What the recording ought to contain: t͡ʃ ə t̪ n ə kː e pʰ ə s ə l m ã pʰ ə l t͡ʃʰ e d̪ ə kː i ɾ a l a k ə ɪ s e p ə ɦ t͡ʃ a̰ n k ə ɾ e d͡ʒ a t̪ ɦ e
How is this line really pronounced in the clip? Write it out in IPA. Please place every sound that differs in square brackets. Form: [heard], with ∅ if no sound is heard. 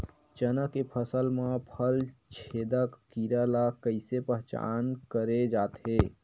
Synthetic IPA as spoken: t͡ʃ ə [∅] n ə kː e pʰ ə s ə l m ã pʰ ə l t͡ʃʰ e d̪ ə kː i ɾ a l a k ə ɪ s e p ə ɦ t͡ʃ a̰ n k ə ɾ e d͡ʒ a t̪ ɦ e